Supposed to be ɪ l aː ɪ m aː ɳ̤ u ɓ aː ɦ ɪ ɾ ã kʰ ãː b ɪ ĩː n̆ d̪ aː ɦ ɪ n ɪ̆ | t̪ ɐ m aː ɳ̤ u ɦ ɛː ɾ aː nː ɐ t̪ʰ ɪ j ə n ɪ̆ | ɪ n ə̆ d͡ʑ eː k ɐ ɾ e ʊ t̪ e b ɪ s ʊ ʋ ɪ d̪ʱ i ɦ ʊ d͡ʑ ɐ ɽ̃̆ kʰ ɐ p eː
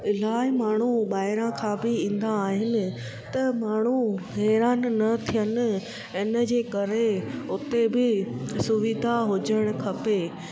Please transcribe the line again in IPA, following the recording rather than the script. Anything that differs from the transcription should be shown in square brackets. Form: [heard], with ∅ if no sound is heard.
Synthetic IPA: ɪ l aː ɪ m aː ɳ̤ u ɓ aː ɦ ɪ ɾ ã kʰ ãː b ɪ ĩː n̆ d̪ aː ɦ ɪ n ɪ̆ | t̪ ɐ m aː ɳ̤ u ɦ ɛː ɾ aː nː ɐ t̪ʰ [i] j ə n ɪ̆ | ɪ n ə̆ d͡ʑ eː k ɐ ɾ e ʊ t̪ e b ɪ s ʊ ʋ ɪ d̪ʱ [a] ɦ ʊ d͡ʑ [ə] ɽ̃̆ kʰ ɐ p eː